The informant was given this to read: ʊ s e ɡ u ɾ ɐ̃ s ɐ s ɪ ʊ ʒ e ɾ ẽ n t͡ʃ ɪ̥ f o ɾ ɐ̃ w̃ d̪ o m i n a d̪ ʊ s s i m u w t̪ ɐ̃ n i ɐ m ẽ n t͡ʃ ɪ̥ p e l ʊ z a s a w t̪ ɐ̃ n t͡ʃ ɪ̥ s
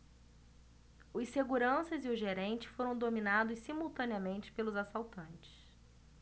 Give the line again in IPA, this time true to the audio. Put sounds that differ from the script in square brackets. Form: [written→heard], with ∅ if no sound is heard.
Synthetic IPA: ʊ s e ɡ u ɾ ɐ̃ s ɐ [s→z] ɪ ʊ ʒ e ɾ ẽ n t͡ʃ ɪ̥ f o ɾ ɐ̃ w̃ d̪ o m i n a d̪ ʊ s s i m u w t̪ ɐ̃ n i ɐ m ẽ n t͡ʃ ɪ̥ p e l ʊ z a s a w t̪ ɐ̃ n t͡ʃ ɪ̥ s